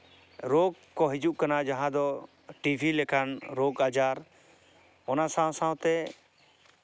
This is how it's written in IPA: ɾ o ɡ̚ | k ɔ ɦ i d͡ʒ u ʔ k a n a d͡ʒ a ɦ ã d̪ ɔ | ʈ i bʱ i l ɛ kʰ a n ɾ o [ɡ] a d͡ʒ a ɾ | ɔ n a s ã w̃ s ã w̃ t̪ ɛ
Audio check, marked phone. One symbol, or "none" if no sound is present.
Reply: ɡ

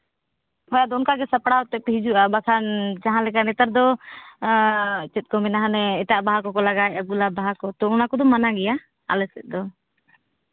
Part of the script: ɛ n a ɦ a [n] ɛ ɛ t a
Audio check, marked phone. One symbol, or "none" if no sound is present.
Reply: n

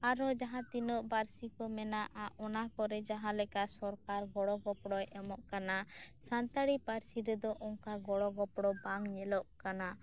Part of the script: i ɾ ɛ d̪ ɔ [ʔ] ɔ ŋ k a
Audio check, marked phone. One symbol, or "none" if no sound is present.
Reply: ʔ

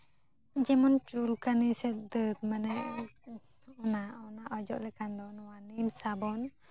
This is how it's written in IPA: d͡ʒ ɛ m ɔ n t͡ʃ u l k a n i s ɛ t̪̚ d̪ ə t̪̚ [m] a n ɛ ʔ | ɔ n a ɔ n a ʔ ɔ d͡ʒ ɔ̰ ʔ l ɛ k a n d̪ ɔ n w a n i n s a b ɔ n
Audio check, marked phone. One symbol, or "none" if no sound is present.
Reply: m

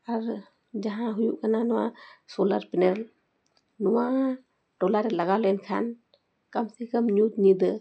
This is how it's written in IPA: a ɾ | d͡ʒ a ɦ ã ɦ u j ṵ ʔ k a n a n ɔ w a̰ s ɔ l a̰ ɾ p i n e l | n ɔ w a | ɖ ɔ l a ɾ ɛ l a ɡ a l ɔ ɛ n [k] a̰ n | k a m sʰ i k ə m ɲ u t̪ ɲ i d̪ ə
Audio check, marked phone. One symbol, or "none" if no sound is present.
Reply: kʰ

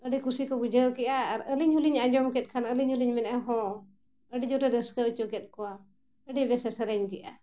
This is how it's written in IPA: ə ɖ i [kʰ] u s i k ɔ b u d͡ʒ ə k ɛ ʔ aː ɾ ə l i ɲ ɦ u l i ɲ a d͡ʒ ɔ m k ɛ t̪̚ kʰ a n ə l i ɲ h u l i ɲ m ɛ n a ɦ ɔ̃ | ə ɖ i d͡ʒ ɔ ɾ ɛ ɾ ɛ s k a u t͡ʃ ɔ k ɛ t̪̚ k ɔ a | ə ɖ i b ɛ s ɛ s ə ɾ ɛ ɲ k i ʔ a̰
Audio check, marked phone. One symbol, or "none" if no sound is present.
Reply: k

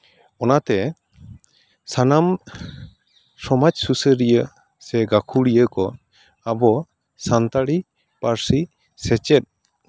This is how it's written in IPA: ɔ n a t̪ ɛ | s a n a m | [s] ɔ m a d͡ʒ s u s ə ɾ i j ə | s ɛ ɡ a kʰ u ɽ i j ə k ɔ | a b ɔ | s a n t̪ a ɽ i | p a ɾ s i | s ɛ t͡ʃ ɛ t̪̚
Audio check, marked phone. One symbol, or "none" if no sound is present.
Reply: s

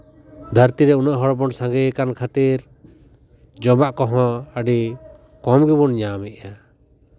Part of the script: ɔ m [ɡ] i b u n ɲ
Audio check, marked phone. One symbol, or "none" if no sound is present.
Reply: ɡ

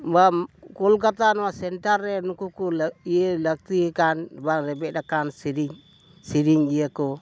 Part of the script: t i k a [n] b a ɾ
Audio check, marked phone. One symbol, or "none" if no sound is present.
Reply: n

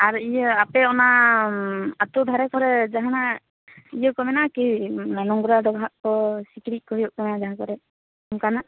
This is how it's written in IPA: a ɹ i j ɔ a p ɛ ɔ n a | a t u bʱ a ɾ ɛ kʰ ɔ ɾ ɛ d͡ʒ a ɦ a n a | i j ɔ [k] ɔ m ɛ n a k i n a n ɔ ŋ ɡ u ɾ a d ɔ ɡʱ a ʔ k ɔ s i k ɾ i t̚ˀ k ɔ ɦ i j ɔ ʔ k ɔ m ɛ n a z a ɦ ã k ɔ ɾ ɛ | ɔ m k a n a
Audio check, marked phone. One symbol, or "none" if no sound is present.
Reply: k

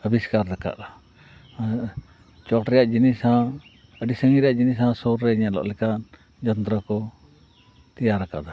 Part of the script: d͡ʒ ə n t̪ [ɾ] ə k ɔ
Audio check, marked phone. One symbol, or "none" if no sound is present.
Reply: ɾ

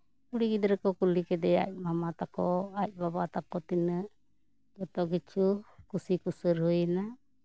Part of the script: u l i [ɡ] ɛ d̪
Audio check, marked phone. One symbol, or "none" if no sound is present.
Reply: k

